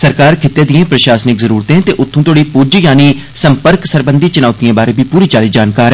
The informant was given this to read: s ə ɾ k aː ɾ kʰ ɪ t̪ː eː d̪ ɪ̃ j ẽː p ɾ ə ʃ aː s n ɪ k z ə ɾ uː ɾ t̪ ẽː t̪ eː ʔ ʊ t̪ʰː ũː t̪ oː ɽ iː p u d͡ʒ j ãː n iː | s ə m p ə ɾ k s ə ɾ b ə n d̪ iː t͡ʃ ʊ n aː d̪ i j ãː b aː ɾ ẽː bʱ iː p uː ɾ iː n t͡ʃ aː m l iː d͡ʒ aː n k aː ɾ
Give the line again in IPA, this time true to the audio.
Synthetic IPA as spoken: s ə ɾ k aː ɾ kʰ ɪ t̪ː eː d̪ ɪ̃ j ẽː p ɾ ə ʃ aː s n ɪ k z ə ɾ uː ɾ t̪ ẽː t̪ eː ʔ ʊ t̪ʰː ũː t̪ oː ɽ iː p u d͡ʒ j aː n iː | s ə m p ə ɾ k s ə ɾ b ə n d̪ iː t͡ʃ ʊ n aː t̪ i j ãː b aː ɾ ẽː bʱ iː p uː ɾ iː t͡ʃ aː l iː d͡ʒ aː n k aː ɾ